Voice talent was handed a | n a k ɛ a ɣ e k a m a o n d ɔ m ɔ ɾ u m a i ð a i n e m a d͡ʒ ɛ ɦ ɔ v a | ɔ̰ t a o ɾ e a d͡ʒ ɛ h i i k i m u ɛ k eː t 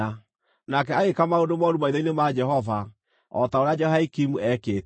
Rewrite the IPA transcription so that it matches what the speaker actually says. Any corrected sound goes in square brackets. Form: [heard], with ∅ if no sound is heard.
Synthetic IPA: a | n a k ɛ a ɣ e k a m a o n d [o] m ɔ ɾ u m a i ð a i n e m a d͡ʒ ɛ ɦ ɔ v a | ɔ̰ t a o ɾ e a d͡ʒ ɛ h [a] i k i m u ɛ k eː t